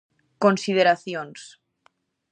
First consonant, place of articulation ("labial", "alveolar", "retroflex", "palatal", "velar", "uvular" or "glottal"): velar